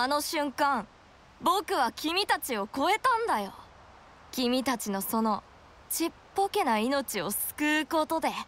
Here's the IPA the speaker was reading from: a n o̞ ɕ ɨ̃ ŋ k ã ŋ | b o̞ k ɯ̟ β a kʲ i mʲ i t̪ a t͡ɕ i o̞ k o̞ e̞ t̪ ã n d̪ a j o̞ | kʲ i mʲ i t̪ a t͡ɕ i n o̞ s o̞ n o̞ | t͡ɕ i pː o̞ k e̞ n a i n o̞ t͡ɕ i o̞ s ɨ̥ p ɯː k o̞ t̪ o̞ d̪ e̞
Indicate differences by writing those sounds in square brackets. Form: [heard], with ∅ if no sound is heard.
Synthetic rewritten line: a n o̞ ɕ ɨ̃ ŋ k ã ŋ | b o̞ k ɯ̟ β a kʲ i mʲ i t̪ a t͡ɕ i o̞ k o̞ e̞ t̪ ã n d̪ a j o̞ | kʲ i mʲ i t̪ a t͡ɕ i n o̞ s o̞ n o̞ | t͡ɕ i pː o̞ k e̞ n a i n o̞ t͡ɕ i o̞ s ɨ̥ [k] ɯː k o̞ t̪ o̞ d̪ e̞